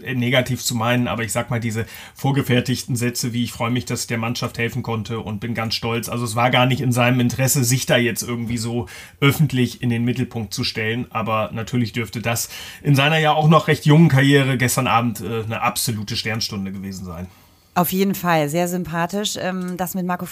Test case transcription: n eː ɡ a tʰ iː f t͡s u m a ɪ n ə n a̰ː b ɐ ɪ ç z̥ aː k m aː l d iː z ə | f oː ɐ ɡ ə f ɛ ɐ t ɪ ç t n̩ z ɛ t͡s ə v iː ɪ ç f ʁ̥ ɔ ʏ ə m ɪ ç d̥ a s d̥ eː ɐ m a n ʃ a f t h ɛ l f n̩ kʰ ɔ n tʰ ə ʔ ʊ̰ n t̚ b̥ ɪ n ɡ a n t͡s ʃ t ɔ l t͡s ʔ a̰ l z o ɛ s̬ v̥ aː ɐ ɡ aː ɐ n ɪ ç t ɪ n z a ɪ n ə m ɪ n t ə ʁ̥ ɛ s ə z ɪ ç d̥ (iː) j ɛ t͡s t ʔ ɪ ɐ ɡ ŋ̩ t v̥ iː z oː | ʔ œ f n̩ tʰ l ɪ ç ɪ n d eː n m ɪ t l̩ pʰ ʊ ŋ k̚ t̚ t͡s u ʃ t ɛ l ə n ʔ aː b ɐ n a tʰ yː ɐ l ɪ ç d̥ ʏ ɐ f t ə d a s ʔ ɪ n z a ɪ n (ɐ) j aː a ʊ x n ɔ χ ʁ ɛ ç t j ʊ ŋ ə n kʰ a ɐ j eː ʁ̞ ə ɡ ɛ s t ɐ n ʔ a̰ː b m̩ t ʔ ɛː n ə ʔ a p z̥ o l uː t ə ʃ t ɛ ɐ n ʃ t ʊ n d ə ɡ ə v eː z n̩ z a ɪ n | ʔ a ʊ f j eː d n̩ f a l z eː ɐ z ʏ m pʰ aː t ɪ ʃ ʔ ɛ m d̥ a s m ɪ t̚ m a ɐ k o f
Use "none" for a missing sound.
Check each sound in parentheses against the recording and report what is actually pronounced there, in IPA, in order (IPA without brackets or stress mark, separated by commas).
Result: aː, ɐ